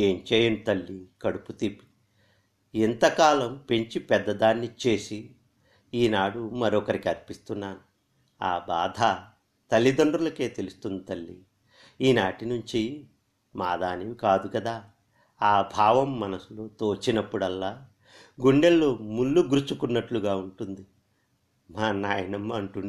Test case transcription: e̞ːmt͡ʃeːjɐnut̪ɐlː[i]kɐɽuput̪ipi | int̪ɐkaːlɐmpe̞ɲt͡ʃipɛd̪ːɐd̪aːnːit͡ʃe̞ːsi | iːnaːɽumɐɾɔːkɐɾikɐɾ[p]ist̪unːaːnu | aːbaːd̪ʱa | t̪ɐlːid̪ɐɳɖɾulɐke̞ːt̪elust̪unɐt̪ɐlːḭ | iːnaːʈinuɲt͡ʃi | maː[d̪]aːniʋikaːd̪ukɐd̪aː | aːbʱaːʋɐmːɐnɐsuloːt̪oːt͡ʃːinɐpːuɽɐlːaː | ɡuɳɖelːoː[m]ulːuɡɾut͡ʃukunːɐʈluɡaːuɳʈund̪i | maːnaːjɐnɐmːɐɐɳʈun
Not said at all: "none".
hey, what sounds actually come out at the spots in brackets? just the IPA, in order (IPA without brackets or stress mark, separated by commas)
i, p, d̪, m